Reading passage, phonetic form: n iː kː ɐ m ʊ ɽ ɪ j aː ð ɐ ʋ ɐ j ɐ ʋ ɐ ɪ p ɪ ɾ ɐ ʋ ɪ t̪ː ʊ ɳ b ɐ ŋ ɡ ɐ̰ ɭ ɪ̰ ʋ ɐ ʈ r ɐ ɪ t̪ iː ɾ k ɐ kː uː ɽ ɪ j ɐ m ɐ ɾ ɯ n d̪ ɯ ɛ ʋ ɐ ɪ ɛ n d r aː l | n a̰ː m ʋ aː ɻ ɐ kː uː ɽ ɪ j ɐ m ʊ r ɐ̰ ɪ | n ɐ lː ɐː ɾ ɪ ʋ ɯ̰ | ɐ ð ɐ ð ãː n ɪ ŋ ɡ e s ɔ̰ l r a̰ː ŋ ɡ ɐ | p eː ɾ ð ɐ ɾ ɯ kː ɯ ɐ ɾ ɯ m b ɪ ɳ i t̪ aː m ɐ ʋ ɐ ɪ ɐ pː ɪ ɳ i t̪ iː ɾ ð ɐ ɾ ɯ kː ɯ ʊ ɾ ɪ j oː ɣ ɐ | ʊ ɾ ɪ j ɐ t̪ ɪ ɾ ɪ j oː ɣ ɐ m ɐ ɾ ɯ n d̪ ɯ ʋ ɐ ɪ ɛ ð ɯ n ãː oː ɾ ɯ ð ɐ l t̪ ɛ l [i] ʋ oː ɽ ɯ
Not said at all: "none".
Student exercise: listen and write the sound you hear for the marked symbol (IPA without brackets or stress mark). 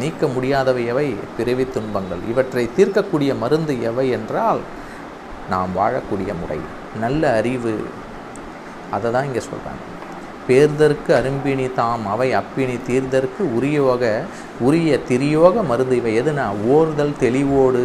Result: ɪ